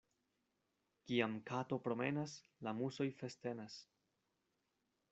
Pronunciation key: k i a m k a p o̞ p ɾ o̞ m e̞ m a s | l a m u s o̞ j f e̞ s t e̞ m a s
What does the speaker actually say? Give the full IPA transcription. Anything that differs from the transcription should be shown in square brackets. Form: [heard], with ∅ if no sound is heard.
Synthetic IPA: k i a m k a [t] o̞ p ɾ o̞ m e̞ [n] a s | l a m u s o̞ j f e̞ s t e̞ [n] a s